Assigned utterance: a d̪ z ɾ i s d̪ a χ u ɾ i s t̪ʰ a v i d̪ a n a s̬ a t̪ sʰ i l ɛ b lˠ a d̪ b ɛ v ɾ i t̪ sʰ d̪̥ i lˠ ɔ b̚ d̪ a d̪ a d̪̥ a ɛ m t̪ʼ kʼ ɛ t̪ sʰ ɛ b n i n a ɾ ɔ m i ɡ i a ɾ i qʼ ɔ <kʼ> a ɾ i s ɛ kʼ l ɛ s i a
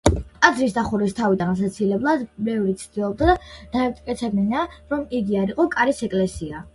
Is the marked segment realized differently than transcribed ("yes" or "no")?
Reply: no